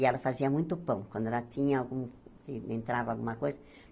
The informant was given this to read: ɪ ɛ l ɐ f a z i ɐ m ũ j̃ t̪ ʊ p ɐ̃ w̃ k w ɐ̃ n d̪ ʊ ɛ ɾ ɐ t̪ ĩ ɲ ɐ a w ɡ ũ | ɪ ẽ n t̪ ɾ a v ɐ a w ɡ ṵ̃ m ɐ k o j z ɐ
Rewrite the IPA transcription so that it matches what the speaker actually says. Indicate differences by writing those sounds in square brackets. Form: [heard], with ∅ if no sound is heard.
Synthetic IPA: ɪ ɛ l ɐ f a z i ɐ m ũ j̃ t̪ ʊ p ɐ̃ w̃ k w ɐ̃ n d̪ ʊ ɛ [l] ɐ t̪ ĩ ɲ ɐ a w ɡ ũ | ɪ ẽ n t̪ ɾ a v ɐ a w ɡ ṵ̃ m ɐ k o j z ɐ

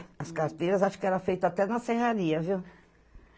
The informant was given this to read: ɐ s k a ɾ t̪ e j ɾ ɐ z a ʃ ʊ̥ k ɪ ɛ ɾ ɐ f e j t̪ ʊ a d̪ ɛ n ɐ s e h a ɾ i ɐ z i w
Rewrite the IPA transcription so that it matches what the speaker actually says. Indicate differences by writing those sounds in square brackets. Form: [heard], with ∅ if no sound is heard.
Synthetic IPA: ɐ s k a ɾ t̪ e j ɾ ɐ z a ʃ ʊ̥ k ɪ ɛ ɾ ɐ f e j t̪ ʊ a [t̪] ɛ n ɐ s e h a ɾ i ɐ [v] i w

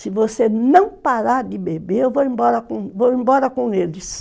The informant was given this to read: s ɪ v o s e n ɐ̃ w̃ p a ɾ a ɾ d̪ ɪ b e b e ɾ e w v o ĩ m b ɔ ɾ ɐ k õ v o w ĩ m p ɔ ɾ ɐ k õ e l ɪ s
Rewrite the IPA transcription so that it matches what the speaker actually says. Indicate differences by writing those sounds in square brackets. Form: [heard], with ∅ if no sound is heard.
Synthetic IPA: s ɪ v o s e n ɐ̃ w̃ p a ɾ a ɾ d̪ ɪ b e b e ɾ e w v o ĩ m b ɔ ɾ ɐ k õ v o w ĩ m [b] ɔ ɾ ɐ k õ e l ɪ s

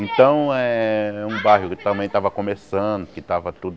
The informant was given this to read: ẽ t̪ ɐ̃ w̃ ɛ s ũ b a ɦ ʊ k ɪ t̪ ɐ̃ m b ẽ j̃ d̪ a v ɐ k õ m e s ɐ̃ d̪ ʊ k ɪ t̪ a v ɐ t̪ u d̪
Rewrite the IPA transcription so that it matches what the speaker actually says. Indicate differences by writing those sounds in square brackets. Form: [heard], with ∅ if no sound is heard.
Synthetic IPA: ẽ t̪ ɐ̃ w̃ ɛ [∅] ũ b a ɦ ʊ k ɪ t̪ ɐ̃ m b ẽ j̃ [t̪] a v ɐ k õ m e s ɐ̃ d̪ ʊ k ɪ t̪ a v ɐ t̪ u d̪

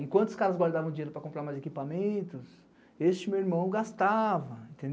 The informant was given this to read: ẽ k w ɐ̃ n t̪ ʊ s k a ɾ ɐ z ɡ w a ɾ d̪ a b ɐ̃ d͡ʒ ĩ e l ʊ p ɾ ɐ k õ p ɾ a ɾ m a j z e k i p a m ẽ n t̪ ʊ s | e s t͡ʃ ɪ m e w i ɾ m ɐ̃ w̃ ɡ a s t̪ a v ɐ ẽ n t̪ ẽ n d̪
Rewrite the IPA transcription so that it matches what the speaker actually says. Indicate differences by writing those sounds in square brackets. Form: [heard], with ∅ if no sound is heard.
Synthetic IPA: ẽ k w ɐ̃ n t̪ ʊ s k a ɾ ɐ z ɡ w a ɾ d̪ a [v] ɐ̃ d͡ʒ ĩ e [ɾ] ʊ p ɾ ɐ k õ p ɾ a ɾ m a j z e k i p a m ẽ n t̪ ʊ s | e s t͡ʃ ɪ m e w i ɾ m ɐ̃ w̃ ɡ a s t̪ a v ɐ ẽ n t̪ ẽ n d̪

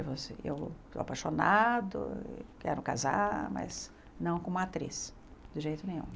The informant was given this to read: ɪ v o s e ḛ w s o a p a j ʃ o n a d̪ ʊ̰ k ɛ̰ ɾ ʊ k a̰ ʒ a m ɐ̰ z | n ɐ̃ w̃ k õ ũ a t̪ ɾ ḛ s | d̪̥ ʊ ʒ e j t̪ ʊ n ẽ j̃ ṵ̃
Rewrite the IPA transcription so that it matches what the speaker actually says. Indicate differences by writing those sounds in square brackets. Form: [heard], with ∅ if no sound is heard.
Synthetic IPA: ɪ v o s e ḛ w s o a p a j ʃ o n a d̪ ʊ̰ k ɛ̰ ɾ ʊ k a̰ [z] a m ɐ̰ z | n ɐ̃ w̃ k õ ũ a t̪ ɾ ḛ s | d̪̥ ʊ ʒ e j t̪ ʊ n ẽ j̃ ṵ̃

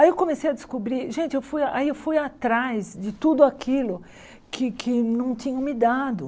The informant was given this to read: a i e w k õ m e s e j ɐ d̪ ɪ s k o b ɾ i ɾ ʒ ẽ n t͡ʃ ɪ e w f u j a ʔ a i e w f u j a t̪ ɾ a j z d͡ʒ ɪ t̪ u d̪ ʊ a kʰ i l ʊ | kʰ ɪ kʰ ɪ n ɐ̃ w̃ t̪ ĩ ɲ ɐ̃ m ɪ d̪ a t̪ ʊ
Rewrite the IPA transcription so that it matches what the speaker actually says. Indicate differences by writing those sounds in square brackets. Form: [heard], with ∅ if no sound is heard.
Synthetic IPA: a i e w k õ m e s e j ɐ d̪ ɪ s k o b ɾ i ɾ ʒ ẽ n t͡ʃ ɪ e w f u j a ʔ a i e w f u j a t̪ ɾ a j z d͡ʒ ɪ t̪ u d̪ ʊ a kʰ i l ʊ | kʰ ɪ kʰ ɪ n ɐ̃ w̃ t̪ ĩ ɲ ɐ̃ m ɪ d̪ a [d̪] ʊ

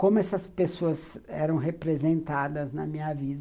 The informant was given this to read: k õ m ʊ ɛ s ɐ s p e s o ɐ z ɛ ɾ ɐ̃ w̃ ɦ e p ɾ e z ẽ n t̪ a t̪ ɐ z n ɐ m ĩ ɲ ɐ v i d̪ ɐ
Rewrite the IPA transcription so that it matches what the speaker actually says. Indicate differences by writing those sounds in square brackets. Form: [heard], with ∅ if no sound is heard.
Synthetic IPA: k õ m ʊ ɛ s ɐ s p e s o ɐ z ɛ ɾ ɐ̃ w̃ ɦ e p ɾ e z ẽ n t̪ a [d̪] ɐ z n ɐ m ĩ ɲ ɐ v i d̪ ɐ

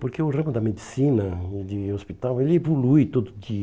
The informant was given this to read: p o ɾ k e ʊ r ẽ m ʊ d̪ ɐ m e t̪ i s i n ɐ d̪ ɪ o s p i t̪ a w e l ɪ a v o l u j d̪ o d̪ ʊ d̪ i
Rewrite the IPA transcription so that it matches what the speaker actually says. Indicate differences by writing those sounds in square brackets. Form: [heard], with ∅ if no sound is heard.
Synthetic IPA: p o ɾ k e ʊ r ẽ m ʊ d̪ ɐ m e [d̪] i s i n ɐ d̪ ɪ o s p i t̪ a w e l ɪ [e] v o l u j [t̪] o d̪ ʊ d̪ i

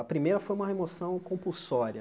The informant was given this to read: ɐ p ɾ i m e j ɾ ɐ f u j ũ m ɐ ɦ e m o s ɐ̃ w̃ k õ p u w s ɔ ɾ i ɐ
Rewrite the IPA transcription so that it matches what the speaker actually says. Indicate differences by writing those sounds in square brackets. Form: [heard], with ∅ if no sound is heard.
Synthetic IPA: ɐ p ɾ i m e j ɾ ɐ f [o] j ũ m ɐ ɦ e m o s ɐ̃ w̃ k õ p u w s ɔ ɾ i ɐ

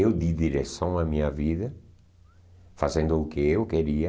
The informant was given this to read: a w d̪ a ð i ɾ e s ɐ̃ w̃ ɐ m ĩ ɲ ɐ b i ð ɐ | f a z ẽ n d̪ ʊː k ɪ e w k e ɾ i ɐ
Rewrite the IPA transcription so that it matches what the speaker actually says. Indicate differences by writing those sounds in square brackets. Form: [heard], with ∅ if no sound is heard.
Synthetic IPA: [e] w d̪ [i] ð i ɾ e s ɐ̃ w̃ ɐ m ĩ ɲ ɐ [v] i ð ɐ | f a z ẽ n d̪ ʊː k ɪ e w k e ɾ i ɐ

